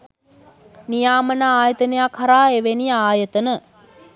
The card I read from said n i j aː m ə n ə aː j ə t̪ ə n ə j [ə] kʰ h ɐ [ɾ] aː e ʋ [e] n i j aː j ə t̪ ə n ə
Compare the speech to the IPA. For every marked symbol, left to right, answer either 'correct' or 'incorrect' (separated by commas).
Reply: incorrect, correct, correct